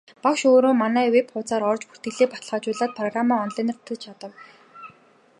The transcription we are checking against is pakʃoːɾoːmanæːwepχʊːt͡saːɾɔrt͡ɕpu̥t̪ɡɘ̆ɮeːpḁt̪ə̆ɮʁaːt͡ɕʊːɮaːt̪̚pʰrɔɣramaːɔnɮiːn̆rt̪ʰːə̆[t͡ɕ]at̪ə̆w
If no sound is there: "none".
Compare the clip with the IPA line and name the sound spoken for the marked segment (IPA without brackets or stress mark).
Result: t͡ɕʰ